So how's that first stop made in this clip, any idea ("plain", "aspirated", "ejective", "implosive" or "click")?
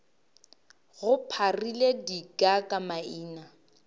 aspirated